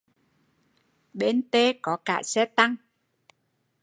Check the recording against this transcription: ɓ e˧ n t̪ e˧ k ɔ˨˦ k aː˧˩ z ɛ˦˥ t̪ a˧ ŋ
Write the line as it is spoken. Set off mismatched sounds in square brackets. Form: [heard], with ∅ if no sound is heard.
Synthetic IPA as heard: ɓ e˧ n t̪ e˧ k ɔ˨˦ k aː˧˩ [s] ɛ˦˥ t̪ a˧ ŋ